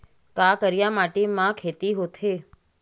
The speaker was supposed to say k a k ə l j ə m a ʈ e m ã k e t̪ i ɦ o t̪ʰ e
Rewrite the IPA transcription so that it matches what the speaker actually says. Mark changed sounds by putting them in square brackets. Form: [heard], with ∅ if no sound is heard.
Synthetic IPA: k a k ə [ɾ] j [a] m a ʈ e m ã [kʰ] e t̪ i ɦ o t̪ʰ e